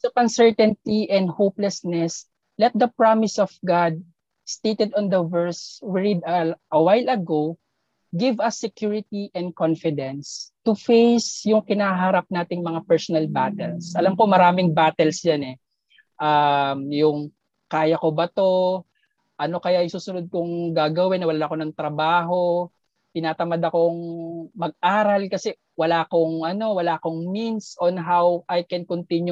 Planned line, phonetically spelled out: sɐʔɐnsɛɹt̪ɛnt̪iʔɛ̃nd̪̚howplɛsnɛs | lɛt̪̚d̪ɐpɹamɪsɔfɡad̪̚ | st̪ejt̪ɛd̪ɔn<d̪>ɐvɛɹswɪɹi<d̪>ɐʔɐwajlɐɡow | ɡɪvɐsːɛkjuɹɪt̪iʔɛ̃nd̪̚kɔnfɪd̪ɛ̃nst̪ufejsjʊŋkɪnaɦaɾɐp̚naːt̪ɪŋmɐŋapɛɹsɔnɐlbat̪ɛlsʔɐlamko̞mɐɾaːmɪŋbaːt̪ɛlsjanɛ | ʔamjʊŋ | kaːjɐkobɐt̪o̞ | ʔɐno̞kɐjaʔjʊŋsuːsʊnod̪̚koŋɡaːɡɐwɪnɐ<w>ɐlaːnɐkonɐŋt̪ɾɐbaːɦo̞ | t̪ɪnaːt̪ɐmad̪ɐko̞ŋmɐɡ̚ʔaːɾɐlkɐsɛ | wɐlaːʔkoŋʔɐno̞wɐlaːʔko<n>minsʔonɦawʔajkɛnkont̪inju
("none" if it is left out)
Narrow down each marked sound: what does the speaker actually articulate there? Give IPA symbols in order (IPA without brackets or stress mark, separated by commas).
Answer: d̪, d̪, w, ŋ